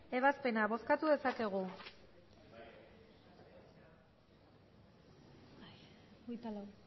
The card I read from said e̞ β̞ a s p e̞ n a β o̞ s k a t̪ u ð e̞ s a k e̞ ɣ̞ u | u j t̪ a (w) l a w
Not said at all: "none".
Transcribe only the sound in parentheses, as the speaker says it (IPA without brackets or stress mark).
none